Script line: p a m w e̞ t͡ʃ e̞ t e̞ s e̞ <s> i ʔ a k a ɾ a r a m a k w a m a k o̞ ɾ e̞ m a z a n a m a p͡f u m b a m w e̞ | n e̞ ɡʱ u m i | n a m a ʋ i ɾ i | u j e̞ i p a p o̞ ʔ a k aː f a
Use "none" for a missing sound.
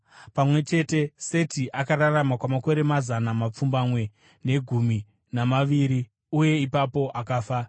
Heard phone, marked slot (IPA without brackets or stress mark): t